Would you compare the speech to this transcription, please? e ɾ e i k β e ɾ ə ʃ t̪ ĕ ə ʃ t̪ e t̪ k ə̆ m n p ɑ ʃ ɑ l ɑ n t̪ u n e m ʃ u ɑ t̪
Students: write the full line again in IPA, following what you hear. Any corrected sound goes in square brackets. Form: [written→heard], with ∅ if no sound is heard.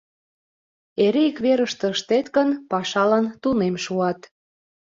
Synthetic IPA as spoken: e ɾ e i k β e ɾ ə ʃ t̪ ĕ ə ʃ t̪ e t̪ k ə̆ [m→∅] n p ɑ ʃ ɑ l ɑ n t̪ u n e m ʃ u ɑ t̪